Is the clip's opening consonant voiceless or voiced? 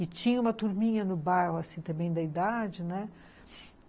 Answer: voiceless